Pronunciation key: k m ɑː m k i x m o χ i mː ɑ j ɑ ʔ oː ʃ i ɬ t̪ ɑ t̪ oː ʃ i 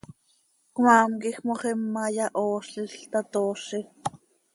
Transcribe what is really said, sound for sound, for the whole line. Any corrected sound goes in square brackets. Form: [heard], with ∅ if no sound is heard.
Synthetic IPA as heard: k m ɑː m k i x m o χ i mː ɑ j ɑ ʔ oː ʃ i ɬ t̪ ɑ t̪ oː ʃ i